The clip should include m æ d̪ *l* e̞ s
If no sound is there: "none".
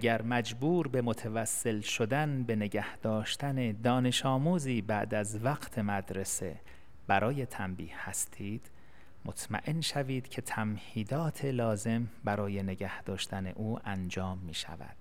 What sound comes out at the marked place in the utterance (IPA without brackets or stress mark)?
ɾ